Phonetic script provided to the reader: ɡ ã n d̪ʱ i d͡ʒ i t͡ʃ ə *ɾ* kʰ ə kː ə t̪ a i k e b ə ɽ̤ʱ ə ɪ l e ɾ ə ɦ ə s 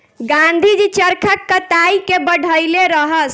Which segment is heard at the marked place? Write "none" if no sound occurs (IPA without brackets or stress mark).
ɾ